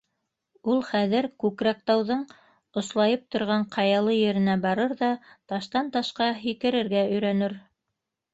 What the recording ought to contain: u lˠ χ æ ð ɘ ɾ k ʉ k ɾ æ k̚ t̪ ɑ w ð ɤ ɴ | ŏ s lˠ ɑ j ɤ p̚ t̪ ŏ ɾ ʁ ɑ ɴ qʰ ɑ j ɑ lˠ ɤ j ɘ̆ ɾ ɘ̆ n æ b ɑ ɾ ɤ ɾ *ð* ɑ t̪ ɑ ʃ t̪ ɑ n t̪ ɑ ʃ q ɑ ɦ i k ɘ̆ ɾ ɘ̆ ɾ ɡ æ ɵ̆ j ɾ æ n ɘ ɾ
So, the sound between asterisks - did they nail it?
yes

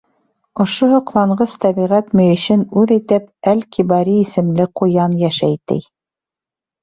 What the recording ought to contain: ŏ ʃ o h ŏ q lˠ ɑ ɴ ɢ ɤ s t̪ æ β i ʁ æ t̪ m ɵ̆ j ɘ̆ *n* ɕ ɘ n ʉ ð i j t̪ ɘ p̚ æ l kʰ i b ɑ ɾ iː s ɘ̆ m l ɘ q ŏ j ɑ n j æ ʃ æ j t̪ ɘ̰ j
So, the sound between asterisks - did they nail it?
no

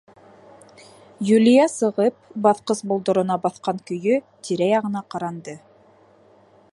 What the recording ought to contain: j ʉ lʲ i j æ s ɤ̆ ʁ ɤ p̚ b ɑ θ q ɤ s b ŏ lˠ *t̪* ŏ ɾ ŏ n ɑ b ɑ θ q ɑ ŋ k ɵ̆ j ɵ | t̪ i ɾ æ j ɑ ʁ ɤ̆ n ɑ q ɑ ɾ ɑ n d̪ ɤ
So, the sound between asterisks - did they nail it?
no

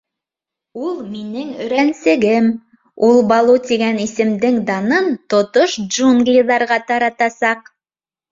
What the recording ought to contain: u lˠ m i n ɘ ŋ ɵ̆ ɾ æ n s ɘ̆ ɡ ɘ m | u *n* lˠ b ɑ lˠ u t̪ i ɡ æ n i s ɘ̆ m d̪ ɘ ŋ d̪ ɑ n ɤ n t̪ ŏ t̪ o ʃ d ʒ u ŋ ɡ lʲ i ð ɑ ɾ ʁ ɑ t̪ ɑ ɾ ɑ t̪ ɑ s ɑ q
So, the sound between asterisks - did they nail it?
no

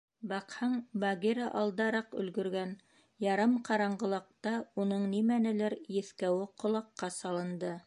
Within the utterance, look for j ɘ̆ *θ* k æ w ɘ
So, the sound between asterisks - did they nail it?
yes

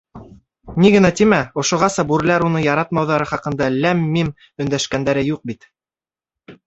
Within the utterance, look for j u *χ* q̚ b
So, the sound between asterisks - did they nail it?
no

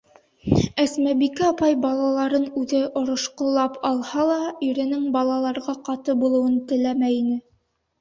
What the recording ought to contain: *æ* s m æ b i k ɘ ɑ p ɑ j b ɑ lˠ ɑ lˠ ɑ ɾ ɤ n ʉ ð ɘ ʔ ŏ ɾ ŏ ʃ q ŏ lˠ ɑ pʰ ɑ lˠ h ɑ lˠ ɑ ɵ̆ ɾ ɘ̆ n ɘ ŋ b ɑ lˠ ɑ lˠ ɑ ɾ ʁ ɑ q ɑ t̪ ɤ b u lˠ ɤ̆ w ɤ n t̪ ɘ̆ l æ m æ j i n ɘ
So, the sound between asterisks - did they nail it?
yes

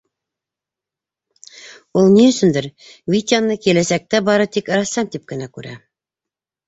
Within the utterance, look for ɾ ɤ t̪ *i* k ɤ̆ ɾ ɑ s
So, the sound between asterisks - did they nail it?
yes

